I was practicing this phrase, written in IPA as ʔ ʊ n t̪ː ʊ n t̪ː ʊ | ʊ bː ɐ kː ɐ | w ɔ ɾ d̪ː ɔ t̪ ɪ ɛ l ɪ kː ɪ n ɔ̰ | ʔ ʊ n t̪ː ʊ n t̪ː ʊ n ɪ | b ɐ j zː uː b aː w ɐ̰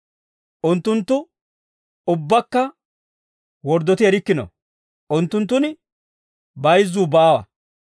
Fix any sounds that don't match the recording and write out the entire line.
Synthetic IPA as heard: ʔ ʊ n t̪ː ʊ n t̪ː ʊ | ʊ bː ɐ kː ɐ | w ɔ ɾ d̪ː ɔ t̪ ɪ ɛ ɾ ɪ kː ɪ n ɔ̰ | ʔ ʊ n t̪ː ʊ n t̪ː ʊ n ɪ | b ɐ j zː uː b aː w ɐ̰